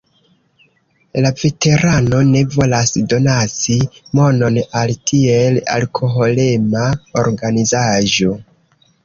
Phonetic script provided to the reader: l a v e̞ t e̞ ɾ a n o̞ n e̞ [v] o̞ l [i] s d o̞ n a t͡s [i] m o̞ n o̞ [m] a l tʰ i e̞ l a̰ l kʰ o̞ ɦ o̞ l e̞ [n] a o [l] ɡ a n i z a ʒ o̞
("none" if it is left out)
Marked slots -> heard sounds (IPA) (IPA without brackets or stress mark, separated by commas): v, a, i, n, m, ɾ